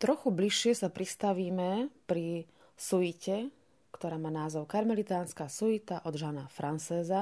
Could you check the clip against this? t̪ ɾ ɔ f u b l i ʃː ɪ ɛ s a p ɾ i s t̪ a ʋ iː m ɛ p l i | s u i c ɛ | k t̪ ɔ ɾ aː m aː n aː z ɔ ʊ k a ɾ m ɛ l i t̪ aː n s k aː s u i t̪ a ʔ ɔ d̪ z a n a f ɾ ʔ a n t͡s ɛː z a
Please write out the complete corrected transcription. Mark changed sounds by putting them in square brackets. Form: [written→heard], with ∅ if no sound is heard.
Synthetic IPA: t̪ ɾ ɔ [f→x] u b l i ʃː ɪ ɛ s a p ɾ i s t̪ a ʋ iː m ɛ p [l→ɾ] i | s u i c ɛ | k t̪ ɔ ɾ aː m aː n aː z ɔ ʊ k a ɾ m ɛ l i t̪ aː n s k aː s u i t̪ a ʔ ɔ d̪ [z→ʒ] a n a f ɾ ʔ a n t͡s ɛː z a